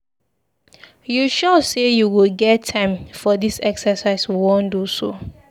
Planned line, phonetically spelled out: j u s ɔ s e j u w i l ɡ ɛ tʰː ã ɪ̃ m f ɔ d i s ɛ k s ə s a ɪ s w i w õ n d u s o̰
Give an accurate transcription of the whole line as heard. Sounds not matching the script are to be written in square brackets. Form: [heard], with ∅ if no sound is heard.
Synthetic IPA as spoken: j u [ʃ] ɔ s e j u w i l ɡ ɛ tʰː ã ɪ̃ m f ɔ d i s ɛ k s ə s a ɪ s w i w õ n d u s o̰